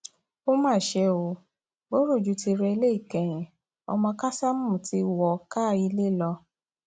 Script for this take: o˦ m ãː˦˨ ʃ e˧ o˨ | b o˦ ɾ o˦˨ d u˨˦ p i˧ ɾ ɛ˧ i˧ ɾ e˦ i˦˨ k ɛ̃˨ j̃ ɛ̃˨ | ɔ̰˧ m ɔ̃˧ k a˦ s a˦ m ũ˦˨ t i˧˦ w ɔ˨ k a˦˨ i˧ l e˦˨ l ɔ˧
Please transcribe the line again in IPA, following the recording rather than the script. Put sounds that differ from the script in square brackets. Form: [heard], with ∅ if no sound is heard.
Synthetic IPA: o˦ m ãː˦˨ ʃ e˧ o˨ | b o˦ ɾ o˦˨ [d͡ʒ] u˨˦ [t] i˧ ɾ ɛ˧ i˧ [l] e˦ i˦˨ k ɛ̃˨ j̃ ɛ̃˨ | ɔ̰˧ m ɔ̃˧ k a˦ s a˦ m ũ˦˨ t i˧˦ w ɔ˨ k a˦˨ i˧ l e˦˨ l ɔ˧